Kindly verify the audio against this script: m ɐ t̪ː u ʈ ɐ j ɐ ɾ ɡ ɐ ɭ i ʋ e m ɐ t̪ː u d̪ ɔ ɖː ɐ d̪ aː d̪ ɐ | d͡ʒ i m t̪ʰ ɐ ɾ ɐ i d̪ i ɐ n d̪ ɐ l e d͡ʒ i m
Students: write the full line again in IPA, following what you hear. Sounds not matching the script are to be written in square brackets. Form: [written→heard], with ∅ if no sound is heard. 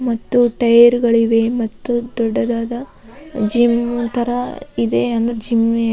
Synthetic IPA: m ɐ t̪ː u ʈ ɐ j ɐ ɾ ɡ ɐ ɭ i ʋ e m ɐ t̪ː u d̪ ɔ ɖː ɐ d̪ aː d̪ ɐ | d͡ʒ i m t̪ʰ ɐ ɾ ɐ i d̪ [i→e] ɐ n d̪ ɐ [l→ɾ] e d͡ʒ i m